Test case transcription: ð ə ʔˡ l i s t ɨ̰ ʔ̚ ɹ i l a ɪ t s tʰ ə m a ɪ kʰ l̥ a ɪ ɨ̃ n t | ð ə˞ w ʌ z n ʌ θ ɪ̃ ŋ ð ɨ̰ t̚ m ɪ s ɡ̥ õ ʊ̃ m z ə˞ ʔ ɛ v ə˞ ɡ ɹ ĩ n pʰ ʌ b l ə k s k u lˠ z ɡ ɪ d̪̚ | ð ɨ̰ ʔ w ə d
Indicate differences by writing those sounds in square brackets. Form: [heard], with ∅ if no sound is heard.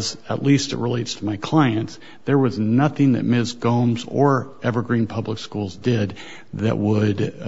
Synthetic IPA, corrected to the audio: [z] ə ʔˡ l i s t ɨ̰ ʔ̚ ɹ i l [e] ɪ t s tʰ ə m a ɪ kʰ l̥ a ɪ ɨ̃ n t | ð ə˞ w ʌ z n ʌ θ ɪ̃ ŋ ð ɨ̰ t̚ m ɪ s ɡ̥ õ ʊ̃ m z ə˞ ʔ ɛ v ə˞ ɡ ɹ ĩ n pʰ ʌ b l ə k s k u lˠ z [d] ɪ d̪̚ | ð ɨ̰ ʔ w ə d

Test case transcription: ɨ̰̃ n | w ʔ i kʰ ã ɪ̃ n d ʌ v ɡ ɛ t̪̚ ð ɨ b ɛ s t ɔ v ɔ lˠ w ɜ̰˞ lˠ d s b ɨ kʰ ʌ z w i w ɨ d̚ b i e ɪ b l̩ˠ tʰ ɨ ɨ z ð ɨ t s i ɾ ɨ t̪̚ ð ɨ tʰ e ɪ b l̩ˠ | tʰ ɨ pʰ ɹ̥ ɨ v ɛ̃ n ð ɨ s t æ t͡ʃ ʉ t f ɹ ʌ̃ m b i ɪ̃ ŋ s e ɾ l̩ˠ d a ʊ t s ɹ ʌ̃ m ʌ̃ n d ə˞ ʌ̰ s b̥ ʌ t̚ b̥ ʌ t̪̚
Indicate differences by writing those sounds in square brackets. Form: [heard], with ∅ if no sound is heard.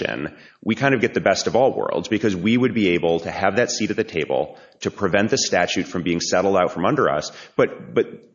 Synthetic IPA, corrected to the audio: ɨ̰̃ n | w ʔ i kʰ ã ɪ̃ n d ʌ v ɡ ɛ t̪̚ ð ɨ b ɛ s t [ʌ] v ɔ lˠ w ɜ̰˞ lˠ d [z] b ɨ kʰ ʌ z w i w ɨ d̚ b i e ɪ b l̩ˠ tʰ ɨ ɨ [v] ð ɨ t s i ɾ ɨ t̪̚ ð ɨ tʰ e ɪ b l̩ˠ | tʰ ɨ pʰ ɹ̥ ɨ v ɛ̃ n ð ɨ s t æ t͡ʃ ʉ t f ɹ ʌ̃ m b i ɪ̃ ŋ s [ɛ] ɾ l̩ˠ d a ʊ t [f] ɹ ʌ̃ m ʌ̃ n d ə˞ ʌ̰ s b̥ ʌ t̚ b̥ ʌ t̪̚

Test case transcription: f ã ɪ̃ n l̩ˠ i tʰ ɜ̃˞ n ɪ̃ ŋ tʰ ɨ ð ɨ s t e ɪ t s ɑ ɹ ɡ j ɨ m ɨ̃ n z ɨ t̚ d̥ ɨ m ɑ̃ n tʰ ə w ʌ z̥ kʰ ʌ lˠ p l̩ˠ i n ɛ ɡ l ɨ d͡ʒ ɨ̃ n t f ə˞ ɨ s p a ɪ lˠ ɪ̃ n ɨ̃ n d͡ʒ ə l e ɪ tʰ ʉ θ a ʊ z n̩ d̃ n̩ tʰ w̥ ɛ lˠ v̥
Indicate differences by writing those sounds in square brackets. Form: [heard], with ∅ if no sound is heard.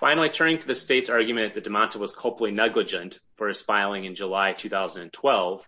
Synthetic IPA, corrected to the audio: f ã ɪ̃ n l̩ˠ i tʰ ɜ̃˞ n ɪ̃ ŋ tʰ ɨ ð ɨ s t e ɪ t s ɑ ɹ ɡ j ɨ m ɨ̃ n [ð] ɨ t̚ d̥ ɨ m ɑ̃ n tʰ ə w ʌ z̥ kʰ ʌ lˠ p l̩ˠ i n ɛ ɡ l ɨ d͡ʒ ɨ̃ n t f ə˞ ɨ s p a ɪ lˠ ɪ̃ [ŋ] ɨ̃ n d͡ʒ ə l [a] ɪ tʰ ʉ θ a ʊ z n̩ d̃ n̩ tʰ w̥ ɛ lˠ v̥

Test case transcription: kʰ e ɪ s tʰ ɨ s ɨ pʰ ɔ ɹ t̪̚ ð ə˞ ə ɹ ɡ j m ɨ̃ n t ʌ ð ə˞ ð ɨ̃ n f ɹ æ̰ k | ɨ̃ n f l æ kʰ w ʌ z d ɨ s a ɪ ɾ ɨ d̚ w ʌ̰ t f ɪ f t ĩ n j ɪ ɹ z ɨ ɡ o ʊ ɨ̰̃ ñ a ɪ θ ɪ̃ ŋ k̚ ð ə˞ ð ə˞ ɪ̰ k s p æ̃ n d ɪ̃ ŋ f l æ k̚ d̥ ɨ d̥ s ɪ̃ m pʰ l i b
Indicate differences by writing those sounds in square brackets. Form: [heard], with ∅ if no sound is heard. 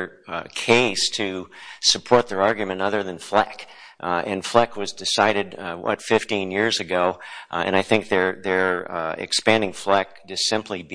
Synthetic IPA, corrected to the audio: kʰ e ɪ s tʰ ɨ s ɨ pʰ ɔ ɹ t̪̚ ð ə˞ [ɑ] ɹ ɡ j m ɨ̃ n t ʌ ð ə˞ ð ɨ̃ n f [l] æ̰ k | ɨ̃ n f l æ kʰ w ʌ z d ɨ s a ɪ ɾ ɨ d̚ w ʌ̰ t f ɪ f t ĩ n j ɪ ɹ z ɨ ɡ o ʊ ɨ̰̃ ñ a ɪ θ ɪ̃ ŋ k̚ ð ə˞ ð ə˞ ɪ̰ k s p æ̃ n d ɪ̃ ŋ f l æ k̚ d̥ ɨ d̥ s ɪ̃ m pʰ l i b

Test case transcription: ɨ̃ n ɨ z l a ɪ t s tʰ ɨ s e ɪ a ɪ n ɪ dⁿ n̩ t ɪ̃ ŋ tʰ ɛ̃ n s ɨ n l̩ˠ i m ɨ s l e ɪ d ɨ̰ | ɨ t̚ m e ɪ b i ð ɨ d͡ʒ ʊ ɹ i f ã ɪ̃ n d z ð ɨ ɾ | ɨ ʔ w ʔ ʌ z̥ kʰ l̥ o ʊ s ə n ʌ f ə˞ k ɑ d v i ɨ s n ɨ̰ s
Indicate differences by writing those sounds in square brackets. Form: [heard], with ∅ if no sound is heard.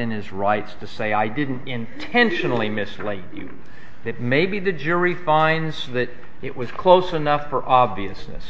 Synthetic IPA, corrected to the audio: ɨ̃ n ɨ z [ɹ] a ɪ t s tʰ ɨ s e ɪ a ɪ [d] ɪ dⁿ n̩ t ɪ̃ [n] tʰ ɛ̃ n [ʃ] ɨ n l̩ˠ i m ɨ s l e ɪ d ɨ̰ | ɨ t̚ m e ɪ b i ð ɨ d͡ʒ ʊ ɹ i f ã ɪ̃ n d z ð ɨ ɾ | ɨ ʔ w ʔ ʌ z̥ kʰ l̥ o ʊ s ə n ʌ f ə˞ [ʔ] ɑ [b] v i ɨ s n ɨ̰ s

